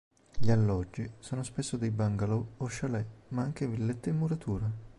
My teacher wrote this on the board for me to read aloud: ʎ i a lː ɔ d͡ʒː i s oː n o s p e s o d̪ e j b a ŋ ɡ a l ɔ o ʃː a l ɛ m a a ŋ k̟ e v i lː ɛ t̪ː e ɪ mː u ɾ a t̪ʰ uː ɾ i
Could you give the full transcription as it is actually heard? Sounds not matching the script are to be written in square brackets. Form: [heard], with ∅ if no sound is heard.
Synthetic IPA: ʎ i a lː ɔ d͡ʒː i s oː n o s p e [sː] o d̪ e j b a ŋ ɡ a l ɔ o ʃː a l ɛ m a a ŋ k̟ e v i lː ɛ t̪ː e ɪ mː u ɾ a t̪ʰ uː ɾ [a]

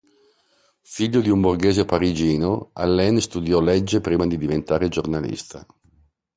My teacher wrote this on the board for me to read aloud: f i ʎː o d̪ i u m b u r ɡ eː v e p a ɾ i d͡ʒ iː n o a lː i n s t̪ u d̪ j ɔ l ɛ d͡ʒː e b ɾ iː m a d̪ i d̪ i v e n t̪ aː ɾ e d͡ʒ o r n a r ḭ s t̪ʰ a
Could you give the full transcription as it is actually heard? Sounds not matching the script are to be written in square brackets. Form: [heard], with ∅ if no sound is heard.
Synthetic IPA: f i ʎː o d̪ i u m b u r ɡ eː [z] e p a ɾ i d͡ʒ iː n o a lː [ɛ] n s t̪ u d̪ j ɔ l ɛ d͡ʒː e [p] ɾ iː m a d̪ i d̪ i v e n t̪ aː ɾ e d͡ʒ o r n a [l] ḭ s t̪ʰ a

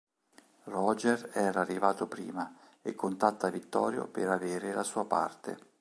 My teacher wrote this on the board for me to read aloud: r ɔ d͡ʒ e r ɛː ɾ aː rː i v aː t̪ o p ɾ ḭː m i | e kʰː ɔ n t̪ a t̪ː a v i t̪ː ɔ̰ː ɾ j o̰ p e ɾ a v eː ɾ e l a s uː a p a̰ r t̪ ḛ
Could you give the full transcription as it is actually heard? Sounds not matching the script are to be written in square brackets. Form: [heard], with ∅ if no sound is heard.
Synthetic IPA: r ɔ d͡ʒ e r ɛː ɾ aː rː i v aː t̪ o p ɾ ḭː m [a] | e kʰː [o] n t̪ a t̪ː a v i t̪ː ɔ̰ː ɾ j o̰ p e ɾ a v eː ɾ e l a s uː a p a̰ r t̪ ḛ

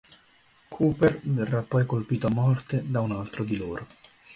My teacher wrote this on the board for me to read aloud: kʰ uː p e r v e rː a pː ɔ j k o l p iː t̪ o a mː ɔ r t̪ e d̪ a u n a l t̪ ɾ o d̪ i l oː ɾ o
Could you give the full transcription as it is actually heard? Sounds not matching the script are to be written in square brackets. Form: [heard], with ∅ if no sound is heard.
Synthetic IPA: kʰ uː p e r v e rː a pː ɔ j k o l p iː t̪ o a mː ɔ r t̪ e d̪ a u n a l t̪ ɾ o d̪ i l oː ɾ o

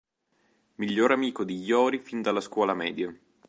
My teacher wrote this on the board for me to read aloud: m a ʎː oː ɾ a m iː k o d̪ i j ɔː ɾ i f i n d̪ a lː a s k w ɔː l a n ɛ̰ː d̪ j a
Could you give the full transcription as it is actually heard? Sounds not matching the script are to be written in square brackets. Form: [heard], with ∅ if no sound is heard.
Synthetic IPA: m [i] ʎː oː ɾ a m iː k o d̪ i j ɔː ɾ i f i n d̪ a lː a s k w ɔː l a [m] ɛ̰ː d̪ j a

